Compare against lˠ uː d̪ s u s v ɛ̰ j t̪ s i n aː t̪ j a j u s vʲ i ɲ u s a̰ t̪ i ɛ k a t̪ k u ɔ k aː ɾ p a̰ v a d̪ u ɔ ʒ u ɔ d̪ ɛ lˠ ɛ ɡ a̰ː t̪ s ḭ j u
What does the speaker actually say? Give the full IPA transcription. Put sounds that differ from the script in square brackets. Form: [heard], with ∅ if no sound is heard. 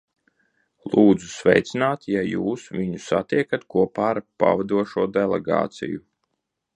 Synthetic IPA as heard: lˠ uː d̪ [z] u s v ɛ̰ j t̪ s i n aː t̪ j a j [uː] s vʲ i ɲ u s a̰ t̪ i ɛ k a t̪ k u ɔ [p] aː ɾ p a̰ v a d̪ u ɔ [ʃ] u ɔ d̪ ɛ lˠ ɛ ɡ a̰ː t̪ s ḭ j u